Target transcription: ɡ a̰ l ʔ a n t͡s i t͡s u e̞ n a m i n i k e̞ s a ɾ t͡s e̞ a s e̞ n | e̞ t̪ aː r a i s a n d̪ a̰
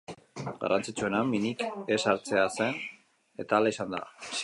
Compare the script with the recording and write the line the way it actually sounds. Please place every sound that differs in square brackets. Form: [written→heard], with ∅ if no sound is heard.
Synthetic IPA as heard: ɡ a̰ [l→r] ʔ a n t͡s i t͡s u e̞ n a m i n i k e̞ s a ɾ t͡s e̞ a s e̞ n | e̞ t̪ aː [r→l] a i s a n d̪ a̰